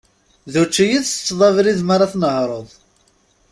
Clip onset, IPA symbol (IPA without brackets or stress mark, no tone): ð